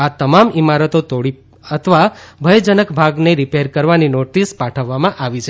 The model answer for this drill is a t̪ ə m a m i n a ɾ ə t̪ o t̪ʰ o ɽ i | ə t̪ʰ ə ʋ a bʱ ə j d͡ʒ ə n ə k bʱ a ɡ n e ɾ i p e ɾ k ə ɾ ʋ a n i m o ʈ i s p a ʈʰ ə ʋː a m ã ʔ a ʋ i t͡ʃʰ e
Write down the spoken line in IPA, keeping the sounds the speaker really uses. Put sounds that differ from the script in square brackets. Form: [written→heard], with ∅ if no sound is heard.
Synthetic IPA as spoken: a t̪ ə m a m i [n→m] a ɾ ə t̪ o [t̪ʰ→t̪] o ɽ i | ə t̪ʰ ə ʋ a bʱ ə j d͡ʒ ə n ə k bʱ a ɡ n e ɾ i p e ɾ k ə ɾ ʋ a n i [m→n] o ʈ i s p a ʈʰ ə ʋː a m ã ʔ a ʋ i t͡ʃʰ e